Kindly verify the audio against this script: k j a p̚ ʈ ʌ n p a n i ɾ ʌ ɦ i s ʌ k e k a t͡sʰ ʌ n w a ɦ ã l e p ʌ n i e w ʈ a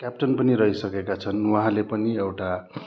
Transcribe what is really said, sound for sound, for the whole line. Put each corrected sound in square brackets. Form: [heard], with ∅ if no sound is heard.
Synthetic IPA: k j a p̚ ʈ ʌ n p [ʌ] n i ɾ ʌ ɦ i s ʌ k e k a t͡sʰ ʌ n w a ɦ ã l e p ʌ n i e w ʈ a